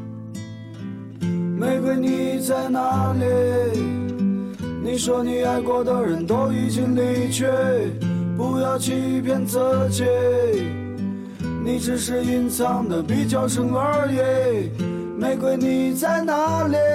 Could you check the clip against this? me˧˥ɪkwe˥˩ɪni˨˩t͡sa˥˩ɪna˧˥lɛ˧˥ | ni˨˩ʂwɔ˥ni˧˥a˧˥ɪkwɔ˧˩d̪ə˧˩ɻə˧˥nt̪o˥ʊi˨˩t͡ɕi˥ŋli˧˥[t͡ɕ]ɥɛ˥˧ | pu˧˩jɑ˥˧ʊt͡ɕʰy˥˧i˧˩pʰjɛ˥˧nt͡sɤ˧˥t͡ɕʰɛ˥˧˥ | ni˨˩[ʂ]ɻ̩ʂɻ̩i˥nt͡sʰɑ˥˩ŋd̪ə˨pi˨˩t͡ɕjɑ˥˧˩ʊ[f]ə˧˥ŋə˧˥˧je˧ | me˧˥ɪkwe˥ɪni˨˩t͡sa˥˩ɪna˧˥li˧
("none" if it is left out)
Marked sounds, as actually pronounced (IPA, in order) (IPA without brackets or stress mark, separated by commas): t͡ɕʰ, ʈ͡ʂ, ʂ